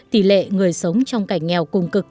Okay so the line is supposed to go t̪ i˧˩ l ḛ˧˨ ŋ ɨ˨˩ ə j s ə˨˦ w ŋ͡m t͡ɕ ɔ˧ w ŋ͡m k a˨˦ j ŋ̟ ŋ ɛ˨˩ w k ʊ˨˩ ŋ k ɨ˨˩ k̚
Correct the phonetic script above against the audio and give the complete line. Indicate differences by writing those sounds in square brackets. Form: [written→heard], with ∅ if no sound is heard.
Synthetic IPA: t̪ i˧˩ l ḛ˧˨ ŋ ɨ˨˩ ə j s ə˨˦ w ŋ͡m t͡ɕ ɔ˧ w ŋ͡m k [a˨˦→a˧˩] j ŋ̟ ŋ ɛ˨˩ w k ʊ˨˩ [ŋ→ŋ͡m] k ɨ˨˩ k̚